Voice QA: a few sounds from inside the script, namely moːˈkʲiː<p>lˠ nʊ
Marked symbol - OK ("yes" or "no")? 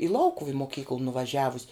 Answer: no